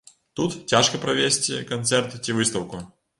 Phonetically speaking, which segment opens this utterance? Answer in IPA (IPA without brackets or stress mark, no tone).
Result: t̪